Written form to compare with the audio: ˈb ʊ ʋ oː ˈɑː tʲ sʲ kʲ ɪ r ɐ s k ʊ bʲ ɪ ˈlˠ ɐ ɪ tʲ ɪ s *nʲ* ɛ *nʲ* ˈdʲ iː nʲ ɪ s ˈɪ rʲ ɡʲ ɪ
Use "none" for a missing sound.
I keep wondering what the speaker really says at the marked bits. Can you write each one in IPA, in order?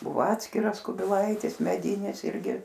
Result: mʲ, none

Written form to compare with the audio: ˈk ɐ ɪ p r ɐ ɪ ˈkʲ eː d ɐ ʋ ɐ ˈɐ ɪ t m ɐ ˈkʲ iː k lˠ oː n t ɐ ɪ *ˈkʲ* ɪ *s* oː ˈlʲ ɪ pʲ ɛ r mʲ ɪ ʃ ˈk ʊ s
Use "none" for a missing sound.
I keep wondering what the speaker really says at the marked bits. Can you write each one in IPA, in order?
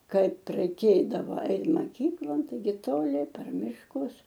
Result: ɡʲ, t

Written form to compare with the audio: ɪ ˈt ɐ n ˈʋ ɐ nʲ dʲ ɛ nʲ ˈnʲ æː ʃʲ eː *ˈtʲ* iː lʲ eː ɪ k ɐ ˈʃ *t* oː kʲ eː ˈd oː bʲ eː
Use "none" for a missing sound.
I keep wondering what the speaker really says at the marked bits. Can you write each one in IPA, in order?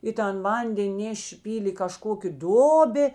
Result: pʲ, k

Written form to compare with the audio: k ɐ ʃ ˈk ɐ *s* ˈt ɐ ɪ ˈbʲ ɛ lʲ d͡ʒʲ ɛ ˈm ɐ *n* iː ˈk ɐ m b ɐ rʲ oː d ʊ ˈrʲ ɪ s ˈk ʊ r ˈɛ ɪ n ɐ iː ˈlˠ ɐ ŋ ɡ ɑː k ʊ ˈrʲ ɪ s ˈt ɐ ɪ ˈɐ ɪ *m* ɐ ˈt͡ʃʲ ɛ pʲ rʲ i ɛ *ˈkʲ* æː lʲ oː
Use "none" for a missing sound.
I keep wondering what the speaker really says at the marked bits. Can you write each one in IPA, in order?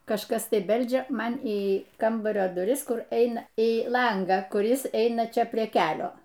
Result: s, n, n, kʲ

